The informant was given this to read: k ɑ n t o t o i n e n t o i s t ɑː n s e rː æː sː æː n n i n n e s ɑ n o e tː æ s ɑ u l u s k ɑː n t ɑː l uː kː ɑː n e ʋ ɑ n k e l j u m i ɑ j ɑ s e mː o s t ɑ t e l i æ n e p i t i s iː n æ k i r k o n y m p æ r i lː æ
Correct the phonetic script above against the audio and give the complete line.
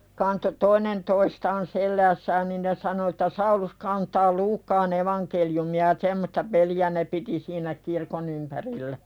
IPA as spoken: k ɑ n t o t o i n e n t o i s t ɑː n s e lː æː sː æː n n i n n e s ɑ n o e tː æ s ɑ u l u s k ɑː n t ɑː l uː kː ɑː n e ʋ ɑ n k e l j u m i ɑ j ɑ s e mː o s t ɑ p e l i æ n e p i t i s iː n æ k i r k o n y m p æ r i lː æ